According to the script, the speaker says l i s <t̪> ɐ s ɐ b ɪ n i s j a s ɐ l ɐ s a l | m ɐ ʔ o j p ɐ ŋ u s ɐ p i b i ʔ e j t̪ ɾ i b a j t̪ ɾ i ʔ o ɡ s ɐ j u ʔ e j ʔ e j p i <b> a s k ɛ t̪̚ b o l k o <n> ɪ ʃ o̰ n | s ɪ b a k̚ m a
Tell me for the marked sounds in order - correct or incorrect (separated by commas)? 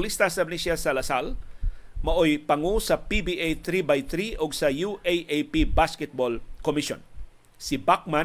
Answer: correct, correct, incorrect